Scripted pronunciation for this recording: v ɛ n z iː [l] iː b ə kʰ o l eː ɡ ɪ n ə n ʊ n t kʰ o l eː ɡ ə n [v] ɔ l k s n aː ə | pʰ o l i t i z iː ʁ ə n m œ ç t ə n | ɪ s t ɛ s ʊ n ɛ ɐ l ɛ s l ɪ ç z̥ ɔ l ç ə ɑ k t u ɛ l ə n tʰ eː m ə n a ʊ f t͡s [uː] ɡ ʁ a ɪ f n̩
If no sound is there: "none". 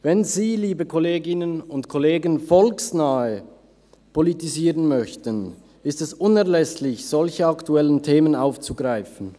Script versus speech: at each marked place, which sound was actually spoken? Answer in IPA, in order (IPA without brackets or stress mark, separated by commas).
l, f, u